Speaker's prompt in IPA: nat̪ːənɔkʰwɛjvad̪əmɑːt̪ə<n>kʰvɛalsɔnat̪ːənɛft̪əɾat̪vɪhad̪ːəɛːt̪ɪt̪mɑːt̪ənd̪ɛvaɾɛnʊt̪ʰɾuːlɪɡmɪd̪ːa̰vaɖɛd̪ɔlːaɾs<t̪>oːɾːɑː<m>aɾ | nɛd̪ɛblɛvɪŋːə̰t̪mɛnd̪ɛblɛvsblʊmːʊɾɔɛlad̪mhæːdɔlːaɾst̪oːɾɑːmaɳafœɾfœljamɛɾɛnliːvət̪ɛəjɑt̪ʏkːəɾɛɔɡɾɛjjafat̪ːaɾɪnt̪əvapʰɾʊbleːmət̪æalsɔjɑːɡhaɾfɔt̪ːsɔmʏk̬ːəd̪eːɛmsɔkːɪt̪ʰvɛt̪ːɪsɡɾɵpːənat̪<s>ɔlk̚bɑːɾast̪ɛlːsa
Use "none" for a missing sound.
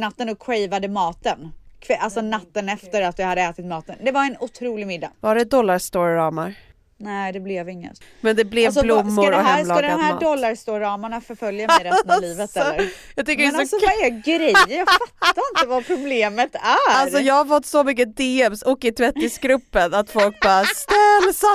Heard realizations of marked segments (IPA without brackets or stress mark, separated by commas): n, t̪, m, f